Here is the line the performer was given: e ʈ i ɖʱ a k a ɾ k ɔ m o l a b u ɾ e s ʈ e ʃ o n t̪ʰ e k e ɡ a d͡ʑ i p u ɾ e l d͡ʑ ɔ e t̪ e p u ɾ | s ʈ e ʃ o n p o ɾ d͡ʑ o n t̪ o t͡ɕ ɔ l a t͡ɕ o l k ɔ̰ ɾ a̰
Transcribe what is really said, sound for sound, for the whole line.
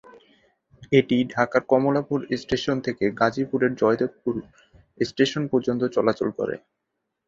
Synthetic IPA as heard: e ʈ i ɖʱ a k a ɾ k ɔ m o l a p u ɾ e s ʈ e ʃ o n t̪ʰ e k e ɡ a d͡ʑ i p u ɾ e ɾ d͡ʑ ɔ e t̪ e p u ɾ | s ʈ e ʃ o n p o ɾ d͡ʑ o n t̪ o t͡ɕ ɔ l a t͡ɕ o l k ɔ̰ ɾ ḛ